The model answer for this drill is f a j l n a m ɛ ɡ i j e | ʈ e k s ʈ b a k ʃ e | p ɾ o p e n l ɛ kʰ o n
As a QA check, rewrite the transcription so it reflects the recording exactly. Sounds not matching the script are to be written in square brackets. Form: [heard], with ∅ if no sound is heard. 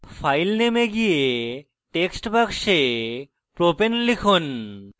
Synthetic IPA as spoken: f a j l n [e] m [e] ɡ i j e | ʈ e k s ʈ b a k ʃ e | p ɾ o p e n l [i] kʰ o n